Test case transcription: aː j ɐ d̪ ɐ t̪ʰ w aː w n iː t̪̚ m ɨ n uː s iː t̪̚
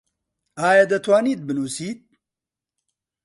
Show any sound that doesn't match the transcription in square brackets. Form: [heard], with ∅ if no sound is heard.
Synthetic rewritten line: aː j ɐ d̪ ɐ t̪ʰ w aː [∅] n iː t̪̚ [b] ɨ n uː s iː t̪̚